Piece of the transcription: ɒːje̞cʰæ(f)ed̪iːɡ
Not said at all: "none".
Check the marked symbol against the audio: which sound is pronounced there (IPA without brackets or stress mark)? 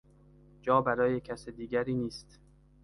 s